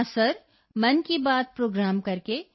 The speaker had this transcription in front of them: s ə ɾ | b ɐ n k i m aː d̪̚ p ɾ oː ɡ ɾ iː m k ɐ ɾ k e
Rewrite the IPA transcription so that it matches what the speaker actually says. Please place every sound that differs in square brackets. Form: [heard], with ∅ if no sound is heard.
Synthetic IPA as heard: s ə ɾ | [m] ɐ n k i [b] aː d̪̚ p ɾ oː ɡ ɾ [aː] m k ɐ ɾ k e